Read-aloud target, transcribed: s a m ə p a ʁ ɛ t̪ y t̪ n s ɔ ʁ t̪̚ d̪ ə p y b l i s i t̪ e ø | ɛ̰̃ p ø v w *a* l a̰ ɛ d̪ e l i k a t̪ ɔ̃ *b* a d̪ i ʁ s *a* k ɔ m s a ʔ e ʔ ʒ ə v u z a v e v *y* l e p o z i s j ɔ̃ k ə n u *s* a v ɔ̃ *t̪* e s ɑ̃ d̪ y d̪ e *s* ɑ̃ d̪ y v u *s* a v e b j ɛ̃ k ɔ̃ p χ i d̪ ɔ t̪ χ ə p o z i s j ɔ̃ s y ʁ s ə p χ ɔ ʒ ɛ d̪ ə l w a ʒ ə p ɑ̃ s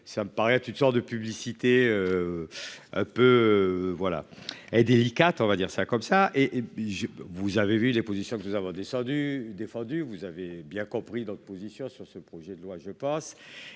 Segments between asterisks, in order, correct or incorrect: correct, incorrect: v, correct, correct, incorrect: z, incorrect: d̪, incorrect: f, incorrect: z

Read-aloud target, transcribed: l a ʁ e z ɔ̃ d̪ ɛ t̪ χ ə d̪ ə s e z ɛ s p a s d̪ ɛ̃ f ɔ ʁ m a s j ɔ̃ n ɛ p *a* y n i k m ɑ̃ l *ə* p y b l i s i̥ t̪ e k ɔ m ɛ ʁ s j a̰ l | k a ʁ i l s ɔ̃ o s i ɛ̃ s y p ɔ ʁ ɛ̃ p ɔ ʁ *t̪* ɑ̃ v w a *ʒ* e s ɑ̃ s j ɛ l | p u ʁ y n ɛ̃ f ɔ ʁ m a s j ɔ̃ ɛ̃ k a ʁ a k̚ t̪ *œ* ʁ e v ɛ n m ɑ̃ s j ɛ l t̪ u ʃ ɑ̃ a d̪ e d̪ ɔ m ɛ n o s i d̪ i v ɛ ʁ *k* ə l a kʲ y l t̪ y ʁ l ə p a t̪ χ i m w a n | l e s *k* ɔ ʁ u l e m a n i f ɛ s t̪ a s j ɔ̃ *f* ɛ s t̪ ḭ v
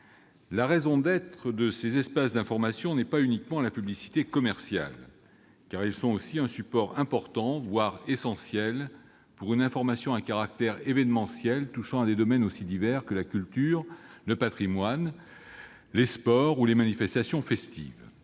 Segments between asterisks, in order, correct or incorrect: correct, incorrect: a, correct, incorrect: ʁ, incorrect: ɛ, correct, incorrect: p, correct

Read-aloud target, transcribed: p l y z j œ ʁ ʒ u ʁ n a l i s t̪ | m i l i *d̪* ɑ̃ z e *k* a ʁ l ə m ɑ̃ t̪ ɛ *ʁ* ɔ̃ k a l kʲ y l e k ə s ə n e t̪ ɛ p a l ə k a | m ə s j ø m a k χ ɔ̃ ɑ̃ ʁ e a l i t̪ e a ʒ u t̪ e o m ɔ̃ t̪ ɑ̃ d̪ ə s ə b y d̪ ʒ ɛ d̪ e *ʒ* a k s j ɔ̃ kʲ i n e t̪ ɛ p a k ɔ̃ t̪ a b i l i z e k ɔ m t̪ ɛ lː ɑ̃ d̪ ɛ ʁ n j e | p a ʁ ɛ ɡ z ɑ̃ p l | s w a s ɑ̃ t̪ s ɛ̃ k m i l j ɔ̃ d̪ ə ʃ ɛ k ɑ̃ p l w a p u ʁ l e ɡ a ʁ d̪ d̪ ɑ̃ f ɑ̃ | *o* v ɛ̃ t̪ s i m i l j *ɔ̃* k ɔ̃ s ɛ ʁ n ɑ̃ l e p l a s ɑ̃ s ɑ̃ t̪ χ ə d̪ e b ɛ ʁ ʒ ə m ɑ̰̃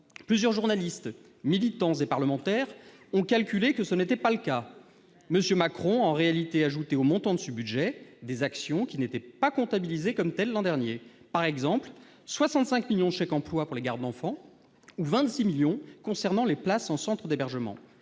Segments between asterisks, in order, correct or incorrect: incorrect: t̪, incorrect: p, correct, incorrect: z, incorrect: u, correct

